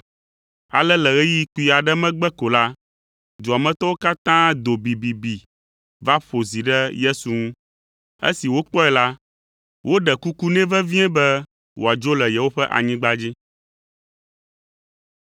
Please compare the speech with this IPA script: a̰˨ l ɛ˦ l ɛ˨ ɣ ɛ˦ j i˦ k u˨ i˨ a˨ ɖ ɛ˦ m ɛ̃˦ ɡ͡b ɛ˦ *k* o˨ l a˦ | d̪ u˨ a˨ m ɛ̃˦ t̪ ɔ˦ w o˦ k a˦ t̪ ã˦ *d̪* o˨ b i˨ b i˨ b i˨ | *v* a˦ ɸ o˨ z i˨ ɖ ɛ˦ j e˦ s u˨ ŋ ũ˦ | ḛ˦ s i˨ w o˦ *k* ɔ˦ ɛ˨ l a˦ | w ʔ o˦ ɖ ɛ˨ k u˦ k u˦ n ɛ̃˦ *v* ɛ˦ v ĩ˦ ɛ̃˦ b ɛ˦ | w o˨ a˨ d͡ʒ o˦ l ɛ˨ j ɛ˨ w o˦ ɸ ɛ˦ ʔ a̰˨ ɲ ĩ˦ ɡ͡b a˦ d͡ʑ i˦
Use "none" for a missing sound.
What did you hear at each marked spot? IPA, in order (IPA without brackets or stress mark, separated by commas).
k, d̪, v, k͡p, v